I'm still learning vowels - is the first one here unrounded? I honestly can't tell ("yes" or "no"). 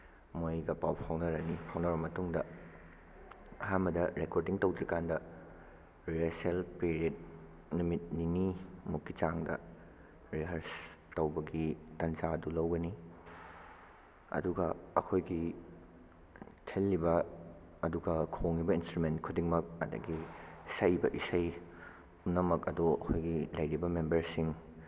no